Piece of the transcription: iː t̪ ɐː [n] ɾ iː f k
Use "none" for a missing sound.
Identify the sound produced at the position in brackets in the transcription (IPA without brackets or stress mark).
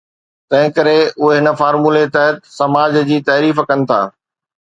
none